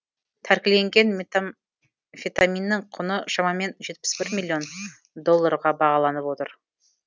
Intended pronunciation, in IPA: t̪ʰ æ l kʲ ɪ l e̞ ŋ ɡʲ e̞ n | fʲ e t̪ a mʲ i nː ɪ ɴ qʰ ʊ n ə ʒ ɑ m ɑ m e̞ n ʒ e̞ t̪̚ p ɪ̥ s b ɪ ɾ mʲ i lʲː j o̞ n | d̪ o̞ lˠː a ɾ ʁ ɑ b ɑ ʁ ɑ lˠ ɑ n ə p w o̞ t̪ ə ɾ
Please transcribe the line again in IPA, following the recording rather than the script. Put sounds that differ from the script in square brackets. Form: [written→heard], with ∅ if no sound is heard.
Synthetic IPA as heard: t̪ʰ æ [l→ɾ] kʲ ɪ l e̞ ŋ ɡʲ e̞ n | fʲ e t̪ a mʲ i nː ɪ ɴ qʰ ʊ n ə [ʒ→ʃ] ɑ m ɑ m e̞ n ʒ e̞ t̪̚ p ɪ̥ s b ɪ ɾ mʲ i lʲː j o̞ n | d̪ o̞ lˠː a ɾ ʁ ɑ b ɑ ʁ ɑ lˠ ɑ n ə p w o̞ t̪ ə ɾ